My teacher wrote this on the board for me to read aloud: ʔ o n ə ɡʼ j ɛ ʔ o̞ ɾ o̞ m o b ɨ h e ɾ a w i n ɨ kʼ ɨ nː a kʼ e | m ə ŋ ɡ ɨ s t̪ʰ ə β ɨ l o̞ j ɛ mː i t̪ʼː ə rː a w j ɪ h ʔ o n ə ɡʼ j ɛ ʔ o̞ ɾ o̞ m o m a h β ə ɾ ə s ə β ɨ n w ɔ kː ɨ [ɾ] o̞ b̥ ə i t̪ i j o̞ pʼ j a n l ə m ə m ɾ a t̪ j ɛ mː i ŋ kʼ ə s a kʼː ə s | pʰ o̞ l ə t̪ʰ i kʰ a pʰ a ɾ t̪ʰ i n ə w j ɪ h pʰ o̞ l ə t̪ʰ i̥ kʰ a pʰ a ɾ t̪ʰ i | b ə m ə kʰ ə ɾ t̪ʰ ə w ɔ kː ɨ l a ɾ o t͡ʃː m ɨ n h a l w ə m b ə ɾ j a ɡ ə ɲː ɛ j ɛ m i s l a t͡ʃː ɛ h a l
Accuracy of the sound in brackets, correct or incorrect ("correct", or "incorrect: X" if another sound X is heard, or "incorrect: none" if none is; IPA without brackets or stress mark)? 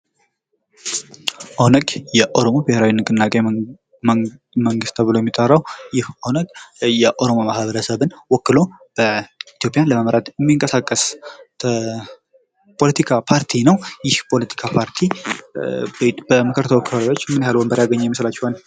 incorrect: l